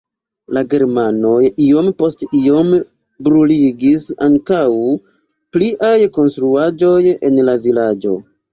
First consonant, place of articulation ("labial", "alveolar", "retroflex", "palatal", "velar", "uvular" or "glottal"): alveolar